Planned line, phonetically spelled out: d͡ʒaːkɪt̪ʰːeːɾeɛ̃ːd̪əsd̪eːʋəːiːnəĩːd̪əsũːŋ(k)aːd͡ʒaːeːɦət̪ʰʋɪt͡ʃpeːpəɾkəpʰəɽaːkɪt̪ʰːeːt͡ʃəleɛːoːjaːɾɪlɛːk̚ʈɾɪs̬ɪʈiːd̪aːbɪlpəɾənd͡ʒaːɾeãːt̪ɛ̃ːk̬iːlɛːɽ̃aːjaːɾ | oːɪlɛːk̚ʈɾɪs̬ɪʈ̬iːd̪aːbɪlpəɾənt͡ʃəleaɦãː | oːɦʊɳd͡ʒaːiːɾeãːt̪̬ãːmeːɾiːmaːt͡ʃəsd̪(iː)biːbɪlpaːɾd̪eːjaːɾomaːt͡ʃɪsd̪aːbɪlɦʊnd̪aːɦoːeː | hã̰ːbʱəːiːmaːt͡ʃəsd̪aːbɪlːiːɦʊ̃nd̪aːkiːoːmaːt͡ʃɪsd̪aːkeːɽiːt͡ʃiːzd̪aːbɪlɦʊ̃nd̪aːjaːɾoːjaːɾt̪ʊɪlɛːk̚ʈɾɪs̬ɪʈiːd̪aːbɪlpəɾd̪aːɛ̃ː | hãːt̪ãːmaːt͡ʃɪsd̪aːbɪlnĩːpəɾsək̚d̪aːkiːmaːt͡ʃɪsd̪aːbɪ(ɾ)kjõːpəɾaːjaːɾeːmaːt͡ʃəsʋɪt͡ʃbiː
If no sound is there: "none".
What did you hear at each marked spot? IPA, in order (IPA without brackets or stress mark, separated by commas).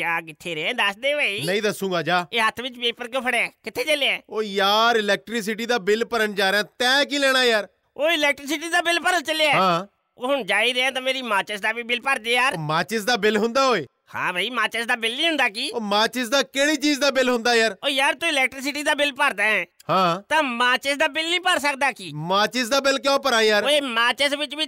ɡ, aː, l